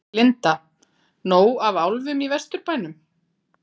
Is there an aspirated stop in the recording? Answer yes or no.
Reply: no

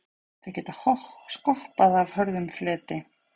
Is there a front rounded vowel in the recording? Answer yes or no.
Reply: yes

